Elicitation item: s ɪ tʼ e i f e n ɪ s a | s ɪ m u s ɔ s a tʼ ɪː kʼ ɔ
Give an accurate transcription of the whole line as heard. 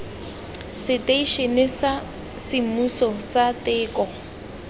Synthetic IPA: s ɪ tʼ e i ʃ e n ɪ s a | s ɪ m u s ɔ s a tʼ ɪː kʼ ɔ